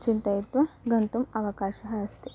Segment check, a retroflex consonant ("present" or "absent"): absent